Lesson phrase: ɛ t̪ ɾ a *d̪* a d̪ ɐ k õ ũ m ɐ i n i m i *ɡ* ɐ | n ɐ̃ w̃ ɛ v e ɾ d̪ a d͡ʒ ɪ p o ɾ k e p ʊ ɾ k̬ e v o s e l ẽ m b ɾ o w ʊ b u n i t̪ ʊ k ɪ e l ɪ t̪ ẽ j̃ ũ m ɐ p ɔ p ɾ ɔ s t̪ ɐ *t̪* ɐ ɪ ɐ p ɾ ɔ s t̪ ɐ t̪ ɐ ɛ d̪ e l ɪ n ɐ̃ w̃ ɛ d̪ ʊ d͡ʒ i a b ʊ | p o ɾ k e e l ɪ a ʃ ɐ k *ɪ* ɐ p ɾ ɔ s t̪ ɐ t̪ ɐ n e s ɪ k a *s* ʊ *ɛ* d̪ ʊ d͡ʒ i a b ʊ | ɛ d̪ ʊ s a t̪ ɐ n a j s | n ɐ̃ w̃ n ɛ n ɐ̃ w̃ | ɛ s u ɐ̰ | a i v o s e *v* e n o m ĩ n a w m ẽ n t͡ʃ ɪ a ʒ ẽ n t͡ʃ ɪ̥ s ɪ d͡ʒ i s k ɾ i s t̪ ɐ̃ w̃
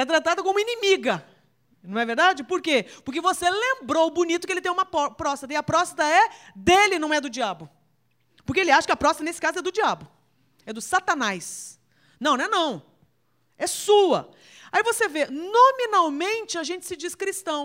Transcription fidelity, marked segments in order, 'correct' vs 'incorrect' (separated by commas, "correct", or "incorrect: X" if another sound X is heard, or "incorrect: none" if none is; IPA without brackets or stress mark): incorrect: t̪, correct, correct, correct, incorrect: z, correct, correct